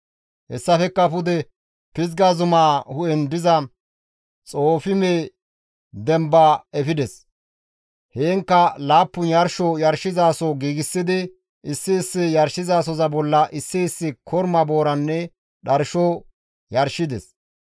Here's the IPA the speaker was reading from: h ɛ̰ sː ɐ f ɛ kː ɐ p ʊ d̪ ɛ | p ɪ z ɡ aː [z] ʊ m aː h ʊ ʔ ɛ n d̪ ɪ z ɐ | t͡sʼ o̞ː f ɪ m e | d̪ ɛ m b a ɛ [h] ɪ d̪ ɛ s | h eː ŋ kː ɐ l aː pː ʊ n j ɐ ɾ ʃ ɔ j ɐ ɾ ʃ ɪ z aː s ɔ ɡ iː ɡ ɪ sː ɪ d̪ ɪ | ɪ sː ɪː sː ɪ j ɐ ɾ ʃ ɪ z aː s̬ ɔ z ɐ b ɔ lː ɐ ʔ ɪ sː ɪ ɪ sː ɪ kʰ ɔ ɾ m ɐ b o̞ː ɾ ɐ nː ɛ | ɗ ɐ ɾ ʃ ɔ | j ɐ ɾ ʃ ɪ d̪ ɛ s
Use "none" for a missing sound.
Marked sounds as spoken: z, f

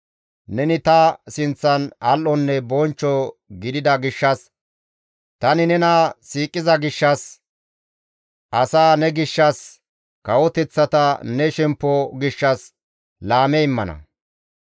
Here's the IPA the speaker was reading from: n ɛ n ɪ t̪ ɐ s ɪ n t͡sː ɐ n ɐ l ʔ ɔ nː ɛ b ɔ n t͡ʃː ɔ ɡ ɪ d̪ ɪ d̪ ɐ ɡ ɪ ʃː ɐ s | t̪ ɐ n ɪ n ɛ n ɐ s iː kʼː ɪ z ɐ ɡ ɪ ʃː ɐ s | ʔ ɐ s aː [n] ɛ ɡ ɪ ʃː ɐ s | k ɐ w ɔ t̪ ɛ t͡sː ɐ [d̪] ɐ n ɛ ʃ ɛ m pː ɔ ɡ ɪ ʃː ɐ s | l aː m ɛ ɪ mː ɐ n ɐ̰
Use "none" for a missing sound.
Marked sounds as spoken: n, t̪

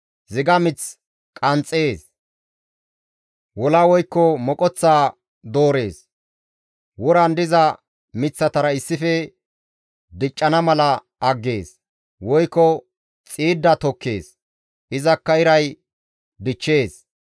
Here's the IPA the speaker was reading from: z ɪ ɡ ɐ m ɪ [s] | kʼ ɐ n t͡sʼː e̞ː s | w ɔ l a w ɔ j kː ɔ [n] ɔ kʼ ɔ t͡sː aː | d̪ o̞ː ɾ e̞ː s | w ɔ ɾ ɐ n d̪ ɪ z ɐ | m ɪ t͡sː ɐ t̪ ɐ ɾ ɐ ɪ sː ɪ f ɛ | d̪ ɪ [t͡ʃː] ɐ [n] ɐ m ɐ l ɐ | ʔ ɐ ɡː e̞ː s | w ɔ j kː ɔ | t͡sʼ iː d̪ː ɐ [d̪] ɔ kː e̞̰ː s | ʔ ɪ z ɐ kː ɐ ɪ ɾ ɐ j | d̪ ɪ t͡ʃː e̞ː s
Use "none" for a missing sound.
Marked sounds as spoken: t͡s, m, t͡ʃʼː, n, t̪

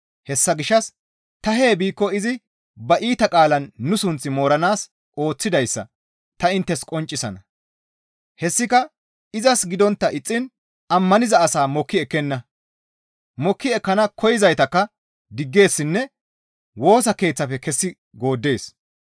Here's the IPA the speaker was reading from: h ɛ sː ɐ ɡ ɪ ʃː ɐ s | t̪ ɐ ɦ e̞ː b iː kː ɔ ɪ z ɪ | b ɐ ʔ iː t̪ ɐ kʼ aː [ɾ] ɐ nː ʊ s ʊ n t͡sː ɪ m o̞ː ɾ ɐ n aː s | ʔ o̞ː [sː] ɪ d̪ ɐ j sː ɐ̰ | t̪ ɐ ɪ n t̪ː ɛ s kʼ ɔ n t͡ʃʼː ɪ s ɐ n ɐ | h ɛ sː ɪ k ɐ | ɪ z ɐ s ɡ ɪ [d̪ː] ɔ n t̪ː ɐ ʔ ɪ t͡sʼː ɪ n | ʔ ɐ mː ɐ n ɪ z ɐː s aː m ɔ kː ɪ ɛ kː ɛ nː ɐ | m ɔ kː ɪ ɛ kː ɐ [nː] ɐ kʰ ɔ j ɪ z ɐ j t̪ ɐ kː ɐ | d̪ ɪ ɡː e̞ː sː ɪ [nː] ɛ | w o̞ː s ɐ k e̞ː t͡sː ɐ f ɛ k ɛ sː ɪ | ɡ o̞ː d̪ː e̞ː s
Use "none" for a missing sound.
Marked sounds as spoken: l, t͡sː, d̪, n, nː

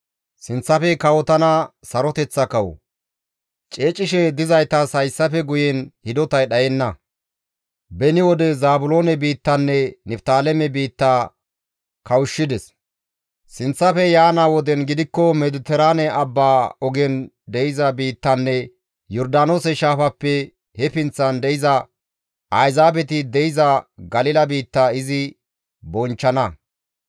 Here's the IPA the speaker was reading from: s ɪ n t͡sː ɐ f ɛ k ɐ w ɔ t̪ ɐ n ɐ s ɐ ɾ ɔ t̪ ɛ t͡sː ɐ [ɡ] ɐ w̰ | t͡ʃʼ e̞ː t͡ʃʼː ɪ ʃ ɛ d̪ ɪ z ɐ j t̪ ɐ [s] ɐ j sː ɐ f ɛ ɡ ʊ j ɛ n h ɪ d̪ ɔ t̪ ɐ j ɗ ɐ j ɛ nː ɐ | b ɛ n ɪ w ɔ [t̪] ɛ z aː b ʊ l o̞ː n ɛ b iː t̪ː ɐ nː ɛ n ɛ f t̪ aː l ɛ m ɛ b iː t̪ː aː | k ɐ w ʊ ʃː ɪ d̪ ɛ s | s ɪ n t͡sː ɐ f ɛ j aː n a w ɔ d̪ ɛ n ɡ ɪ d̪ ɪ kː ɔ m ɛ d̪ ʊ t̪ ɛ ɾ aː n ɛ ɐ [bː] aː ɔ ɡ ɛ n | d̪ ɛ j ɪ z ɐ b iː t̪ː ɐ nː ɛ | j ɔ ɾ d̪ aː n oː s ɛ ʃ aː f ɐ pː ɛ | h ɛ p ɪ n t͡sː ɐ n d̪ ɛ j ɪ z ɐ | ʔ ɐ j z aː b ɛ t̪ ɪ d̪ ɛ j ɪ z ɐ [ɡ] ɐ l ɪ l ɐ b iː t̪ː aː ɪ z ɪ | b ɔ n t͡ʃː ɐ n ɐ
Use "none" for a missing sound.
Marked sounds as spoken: k, s, d̪, bː, ɡ

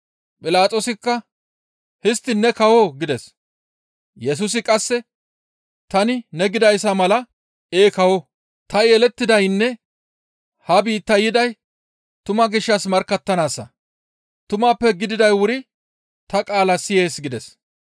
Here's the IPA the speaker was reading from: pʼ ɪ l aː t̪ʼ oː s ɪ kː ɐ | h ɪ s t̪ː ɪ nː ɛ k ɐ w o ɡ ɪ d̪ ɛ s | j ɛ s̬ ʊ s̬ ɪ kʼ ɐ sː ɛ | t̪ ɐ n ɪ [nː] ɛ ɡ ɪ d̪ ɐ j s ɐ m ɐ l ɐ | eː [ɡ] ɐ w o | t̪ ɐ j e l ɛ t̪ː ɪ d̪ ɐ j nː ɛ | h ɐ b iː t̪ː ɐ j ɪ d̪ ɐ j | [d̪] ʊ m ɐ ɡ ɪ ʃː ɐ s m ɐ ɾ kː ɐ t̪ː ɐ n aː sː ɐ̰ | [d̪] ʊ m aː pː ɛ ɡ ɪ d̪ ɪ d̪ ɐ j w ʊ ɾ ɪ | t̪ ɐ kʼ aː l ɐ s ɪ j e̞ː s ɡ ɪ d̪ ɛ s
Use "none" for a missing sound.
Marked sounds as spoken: n, k, t̪, t̪

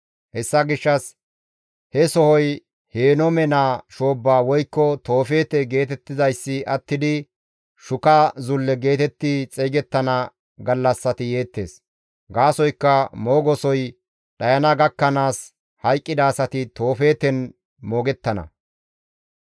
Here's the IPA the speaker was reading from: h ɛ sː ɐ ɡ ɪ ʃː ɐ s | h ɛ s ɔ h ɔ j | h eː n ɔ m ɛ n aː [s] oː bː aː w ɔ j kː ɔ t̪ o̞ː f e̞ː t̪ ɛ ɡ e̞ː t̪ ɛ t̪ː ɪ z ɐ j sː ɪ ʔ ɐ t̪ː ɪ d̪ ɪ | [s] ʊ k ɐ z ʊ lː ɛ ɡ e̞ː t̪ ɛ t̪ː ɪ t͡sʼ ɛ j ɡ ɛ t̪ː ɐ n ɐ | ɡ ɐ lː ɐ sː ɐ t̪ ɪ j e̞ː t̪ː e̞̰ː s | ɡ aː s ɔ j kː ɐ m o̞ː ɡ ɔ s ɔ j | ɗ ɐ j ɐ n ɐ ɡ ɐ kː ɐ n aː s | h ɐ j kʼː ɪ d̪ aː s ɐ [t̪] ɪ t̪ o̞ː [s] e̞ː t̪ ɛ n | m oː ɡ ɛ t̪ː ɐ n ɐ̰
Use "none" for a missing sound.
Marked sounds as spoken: ʃ, ʃ, t̪, f

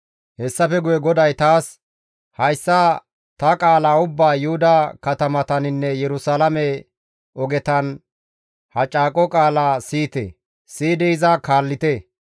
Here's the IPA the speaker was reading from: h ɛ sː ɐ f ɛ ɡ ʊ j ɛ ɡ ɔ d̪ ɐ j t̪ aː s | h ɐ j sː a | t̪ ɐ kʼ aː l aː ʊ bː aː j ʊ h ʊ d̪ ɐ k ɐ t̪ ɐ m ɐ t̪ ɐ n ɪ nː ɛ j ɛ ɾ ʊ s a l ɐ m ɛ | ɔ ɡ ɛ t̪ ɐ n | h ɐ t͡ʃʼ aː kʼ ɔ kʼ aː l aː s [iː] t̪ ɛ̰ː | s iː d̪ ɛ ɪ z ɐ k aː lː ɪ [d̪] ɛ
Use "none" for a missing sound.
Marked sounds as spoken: iː, t̪

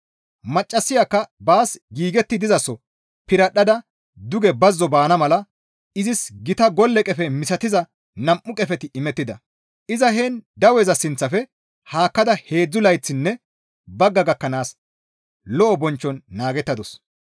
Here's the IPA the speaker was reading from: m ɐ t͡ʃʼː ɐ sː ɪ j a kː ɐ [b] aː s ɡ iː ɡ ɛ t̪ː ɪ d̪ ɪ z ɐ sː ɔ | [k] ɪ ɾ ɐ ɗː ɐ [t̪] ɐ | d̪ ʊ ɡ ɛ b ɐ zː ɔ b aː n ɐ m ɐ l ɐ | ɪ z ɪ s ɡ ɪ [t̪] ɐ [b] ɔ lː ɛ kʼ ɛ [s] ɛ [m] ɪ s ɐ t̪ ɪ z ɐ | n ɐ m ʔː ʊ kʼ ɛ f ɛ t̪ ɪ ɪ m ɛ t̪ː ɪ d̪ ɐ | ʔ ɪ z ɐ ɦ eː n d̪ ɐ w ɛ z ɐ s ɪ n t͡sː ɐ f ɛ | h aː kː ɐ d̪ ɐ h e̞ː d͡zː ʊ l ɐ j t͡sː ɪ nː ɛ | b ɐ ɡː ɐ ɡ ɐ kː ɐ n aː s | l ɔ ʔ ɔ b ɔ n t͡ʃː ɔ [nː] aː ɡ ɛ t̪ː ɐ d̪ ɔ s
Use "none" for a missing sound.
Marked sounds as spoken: b, p, d̪, t̪, ɡ, f, m, nː

